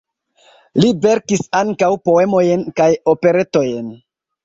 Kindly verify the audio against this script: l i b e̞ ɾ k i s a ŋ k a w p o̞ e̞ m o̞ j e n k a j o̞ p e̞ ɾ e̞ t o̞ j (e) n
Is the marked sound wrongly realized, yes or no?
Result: no